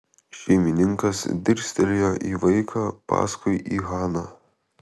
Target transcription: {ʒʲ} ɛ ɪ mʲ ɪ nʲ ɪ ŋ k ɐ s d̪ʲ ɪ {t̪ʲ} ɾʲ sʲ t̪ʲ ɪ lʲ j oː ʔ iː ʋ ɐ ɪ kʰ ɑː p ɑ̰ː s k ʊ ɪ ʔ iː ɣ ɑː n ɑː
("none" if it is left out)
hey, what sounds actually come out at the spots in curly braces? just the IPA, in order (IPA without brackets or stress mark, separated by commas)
ʃʲ, none